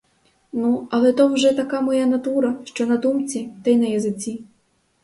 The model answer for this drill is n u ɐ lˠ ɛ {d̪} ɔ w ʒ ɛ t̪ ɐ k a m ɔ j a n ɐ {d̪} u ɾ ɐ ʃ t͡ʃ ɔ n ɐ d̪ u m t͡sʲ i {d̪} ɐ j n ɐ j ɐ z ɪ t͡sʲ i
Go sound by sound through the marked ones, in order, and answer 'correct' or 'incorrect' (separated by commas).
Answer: incorrect, incorrect, incorrect